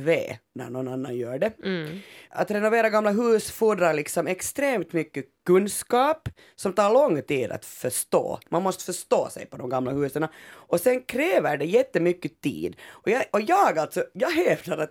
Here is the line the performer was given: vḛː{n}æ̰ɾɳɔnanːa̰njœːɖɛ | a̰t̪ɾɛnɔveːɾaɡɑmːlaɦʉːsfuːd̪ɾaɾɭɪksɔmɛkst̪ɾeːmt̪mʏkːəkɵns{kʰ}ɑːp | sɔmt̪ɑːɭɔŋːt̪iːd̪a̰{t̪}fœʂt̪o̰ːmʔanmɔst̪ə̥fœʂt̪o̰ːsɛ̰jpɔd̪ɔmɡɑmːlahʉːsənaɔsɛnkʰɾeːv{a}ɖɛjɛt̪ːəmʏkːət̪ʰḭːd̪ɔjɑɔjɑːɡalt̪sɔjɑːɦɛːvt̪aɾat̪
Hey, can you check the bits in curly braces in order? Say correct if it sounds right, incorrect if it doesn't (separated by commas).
correct, incorrect, correct, incorrect